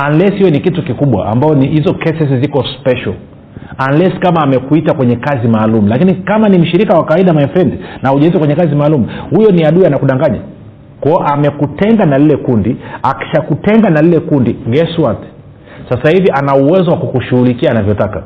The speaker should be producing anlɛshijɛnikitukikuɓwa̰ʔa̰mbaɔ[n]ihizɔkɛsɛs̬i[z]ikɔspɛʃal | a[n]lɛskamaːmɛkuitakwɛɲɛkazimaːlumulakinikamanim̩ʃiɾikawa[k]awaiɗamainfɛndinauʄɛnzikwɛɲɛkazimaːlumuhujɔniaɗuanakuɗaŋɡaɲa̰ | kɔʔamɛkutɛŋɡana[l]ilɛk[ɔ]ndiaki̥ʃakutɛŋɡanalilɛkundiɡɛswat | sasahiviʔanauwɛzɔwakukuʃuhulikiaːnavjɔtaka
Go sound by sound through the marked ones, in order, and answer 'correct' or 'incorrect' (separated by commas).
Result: correct, correct, correct, correct, correct, incorrect